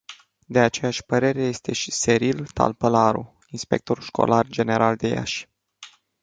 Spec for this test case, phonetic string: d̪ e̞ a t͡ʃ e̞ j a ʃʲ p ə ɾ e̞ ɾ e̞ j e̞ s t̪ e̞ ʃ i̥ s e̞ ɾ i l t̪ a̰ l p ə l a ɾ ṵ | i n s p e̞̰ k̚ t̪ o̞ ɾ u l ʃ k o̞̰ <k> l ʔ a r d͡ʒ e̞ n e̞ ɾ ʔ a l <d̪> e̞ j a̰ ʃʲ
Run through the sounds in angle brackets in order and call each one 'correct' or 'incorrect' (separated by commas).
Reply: incorrect, correct